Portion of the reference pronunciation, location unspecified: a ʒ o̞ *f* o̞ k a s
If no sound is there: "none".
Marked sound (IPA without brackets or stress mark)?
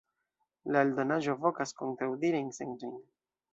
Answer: v